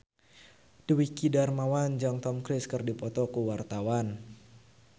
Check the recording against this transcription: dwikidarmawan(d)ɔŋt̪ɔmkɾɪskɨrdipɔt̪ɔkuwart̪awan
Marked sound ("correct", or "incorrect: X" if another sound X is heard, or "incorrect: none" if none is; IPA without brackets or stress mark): incorrect: d͡ʒ